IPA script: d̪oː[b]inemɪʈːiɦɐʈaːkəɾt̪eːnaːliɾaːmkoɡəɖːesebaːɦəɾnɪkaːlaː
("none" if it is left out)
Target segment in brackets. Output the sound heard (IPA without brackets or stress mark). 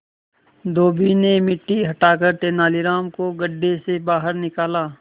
b